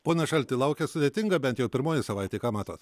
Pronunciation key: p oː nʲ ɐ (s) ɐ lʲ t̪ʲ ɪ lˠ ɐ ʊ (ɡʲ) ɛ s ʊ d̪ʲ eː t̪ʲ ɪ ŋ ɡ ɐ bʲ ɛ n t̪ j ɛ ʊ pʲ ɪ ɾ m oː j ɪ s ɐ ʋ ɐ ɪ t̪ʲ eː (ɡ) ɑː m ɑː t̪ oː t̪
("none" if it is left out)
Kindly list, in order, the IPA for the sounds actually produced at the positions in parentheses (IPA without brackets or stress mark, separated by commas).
ʃ, kʲ, k